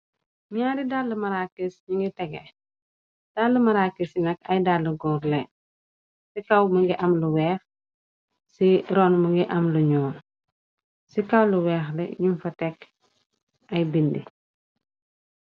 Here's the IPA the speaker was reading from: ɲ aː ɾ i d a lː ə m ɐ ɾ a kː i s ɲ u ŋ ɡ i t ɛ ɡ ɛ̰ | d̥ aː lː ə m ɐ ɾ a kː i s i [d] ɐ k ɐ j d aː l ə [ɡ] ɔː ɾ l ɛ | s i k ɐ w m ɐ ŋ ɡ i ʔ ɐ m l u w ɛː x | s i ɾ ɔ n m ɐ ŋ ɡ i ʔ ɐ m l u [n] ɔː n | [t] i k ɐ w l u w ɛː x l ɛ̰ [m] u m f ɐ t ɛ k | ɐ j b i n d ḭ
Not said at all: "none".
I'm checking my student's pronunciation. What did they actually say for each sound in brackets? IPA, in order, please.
n, ɡ, ɲ, s, ɲ

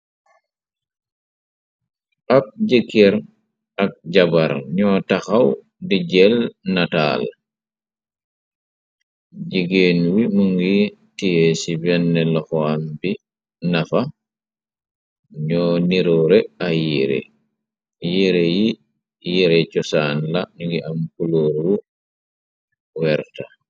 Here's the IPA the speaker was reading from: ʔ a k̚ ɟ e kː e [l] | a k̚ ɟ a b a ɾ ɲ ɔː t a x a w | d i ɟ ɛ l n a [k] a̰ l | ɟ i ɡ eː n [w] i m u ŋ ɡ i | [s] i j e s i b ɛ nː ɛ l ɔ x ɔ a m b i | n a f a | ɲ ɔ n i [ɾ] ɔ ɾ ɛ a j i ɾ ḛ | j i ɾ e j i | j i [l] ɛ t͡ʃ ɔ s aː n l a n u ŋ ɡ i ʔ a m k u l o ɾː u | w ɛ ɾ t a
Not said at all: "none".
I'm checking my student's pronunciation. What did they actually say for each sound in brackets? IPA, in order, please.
ɾ, t, w, t, ɾ, ɾ

